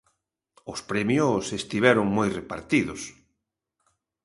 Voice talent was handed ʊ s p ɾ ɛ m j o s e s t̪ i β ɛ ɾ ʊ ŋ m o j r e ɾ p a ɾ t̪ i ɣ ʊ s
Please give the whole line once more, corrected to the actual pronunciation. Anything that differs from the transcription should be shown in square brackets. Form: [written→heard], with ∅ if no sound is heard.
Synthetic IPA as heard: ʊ s p ɾ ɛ m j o s e s t̪ i β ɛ ɾ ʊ ŋ m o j r e [ɾ→∅] p a ɾ t̪ i [ɣ→ð] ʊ s

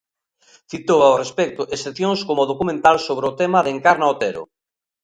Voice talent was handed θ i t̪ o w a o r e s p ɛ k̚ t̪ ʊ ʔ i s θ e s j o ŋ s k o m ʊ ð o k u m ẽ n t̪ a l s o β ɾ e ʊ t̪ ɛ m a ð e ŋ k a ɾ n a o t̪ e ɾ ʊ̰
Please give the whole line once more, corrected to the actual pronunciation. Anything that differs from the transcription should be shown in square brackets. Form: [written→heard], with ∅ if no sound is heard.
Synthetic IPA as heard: θ i t̪ o w a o r e s p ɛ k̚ t̪ ʊ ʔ [i→e] s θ e [s→θ] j o ŋ s k o m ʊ ð o k u m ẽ n t̪ a l s o β ɾ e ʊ t̪ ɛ m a ð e ŋ k a ɾ n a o t̪ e ɾ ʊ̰

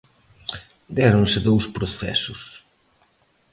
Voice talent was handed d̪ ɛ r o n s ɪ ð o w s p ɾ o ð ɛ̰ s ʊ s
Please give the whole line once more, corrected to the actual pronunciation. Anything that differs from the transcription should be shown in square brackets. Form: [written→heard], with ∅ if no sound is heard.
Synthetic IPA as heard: d̪ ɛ [r→ɾ] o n s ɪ ð o w s p ɾ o [ð→θ] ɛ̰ s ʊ s

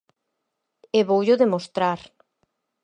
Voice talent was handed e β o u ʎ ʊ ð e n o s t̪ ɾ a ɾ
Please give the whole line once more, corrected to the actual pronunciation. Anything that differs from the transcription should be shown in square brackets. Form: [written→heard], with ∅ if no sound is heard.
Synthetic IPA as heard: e β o [u→w] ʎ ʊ ð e [n→m] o s t̪ ɾ a ɾ

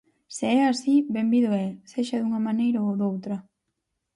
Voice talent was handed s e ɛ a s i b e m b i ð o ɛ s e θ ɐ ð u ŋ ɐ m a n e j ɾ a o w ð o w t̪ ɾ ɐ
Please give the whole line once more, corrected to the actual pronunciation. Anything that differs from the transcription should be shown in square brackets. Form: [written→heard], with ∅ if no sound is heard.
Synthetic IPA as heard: s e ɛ a s i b e m b i ð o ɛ s e [θ→ʃ] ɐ ð u ŋ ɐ m a n e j ɾ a o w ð o w t̪ ɾ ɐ

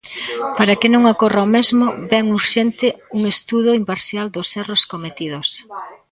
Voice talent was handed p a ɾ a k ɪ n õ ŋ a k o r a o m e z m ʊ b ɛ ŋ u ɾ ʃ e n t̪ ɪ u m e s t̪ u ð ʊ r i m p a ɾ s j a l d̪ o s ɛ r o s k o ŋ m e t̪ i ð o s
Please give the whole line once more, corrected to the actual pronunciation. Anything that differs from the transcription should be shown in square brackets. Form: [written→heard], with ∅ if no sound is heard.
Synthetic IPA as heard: p a ɾ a k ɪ n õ ŋ a k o r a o m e z m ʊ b ɛ ŋ u ɾ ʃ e n t̪ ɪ u [m→ŋ] e s t̪ u ð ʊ [r→∅] i m p a ɾ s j a l d̪ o s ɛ r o s k o [ŋ→∅] m e t̪ i ð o s

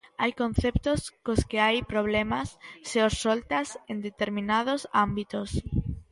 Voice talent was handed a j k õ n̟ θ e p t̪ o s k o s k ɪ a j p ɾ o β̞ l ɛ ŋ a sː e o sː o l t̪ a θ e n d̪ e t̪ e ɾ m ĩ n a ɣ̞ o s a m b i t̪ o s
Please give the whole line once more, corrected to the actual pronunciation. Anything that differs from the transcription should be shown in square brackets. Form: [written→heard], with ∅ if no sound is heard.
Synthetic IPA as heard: a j k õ n̟ θ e p t̪ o s k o s k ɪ a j p ɾ o β̞ l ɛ [ŋ→m] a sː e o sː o l t̪ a [θ→s] e n d̪ e t̪ e ɾ m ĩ n a [ɣ̞→ð̞] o s a m b i t̪ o s

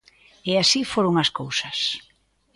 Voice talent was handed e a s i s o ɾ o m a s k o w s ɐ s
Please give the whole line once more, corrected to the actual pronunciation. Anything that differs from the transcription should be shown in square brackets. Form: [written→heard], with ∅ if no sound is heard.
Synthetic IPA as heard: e a s i [s→f] o ɾ o [m→ŋ] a s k o w s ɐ s

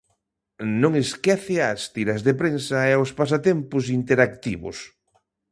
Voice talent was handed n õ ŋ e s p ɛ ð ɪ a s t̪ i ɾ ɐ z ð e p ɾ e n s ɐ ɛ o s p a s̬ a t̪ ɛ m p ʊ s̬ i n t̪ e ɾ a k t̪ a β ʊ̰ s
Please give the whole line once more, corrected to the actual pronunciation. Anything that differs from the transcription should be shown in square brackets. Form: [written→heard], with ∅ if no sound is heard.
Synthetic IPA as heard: n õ ŋ e s [p→k] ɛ [ð→θ] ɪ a s t̪ i ɾ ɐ z ð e p ɾ e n s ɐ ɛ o s p a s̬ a t̪ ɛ m p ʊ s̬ i n t̪ e ɾ a k t̪ [a→i] β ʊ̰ s

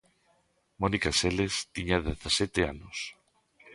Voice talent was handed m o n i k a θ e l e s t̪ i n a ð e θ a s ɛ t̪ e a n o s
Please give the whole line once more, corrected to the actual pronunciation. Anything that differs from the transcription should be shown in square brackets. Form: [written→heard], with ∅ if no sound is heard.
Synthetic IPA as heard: m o n i k a [θ→s] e l e s t̪ i [n→ɲ] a ð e θ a s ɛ t̪ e a n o s

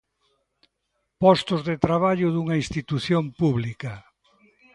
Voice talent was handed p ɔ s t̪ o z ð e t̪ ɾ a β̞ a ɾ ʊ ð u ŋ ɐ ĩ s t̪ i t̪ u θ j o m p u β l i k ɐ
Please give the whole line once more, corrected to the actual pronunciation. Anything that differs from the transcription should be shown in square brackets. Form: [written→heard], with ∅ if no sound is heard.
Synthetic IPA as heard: p ɔ s t̪ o z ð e t̪ ɾ a β̞ a [ɾ→ʎ] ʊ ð u ŋ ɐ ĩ s t̪ i t̪ u θ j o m p u β l i k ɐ

